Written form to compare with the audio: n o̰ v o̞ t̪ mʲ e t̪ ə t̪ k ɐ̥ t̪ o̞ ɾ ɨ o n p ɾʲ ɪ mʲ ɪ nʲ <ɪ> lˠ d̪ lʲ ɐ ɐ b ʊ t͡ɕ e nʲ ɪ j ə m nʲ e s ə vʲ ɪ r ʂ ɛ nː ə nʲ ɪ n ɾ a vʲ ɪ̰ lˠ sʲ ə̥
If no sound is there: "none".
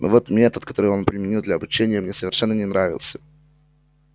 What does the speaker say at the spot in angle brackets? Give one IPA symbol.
i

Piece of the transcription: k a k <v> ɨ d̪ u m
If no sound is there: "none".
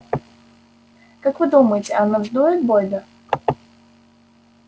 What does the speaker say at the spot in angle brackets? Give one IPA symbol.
v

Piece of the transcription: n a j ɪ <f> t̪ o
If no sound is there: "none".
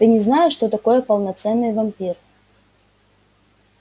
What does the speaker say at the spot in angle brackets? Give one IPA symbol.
ʂ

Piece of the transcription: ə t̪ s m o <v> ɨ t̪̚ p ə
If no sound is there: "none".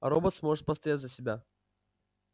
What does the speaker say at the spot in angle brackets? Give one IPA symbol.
ʐ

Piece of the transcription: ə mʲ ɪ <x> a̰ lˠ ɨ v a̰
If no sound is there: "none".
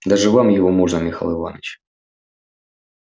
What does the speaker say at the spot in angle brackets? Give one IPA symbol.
x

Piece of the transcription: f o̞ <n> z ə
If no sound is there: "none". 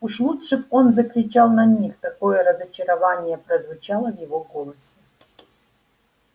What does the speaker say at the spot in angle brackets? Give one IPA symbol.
n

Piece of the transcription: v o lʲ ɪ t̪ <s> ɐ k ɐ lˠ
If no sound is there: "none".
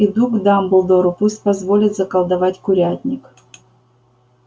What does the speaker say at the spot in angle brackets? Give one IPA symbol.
z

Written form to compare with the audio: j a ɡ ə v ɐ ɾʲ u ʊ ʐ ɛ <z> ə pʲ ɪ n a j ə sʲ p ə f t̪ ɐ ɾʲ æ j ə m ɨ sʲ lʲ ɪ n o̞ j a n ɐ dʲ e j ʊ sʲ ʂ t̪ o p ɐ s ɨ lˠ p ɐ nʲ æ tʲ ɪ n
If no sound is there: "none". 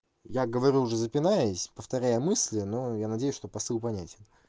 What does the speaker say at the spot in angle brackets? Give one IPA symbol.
z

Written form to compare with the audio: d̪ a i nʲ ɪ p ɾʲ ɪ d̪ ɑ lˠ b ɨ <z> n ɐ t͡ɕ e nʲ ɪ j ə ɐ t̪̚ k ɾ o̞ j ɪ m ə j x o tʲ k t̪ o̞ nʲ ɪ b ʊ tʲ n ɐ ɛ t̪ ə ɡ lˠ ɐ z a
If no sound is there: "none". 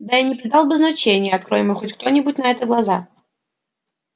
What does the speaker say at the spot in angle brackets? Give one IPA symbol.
z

